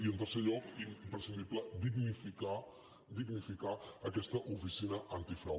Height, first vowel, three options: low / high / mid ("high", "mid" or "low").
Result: high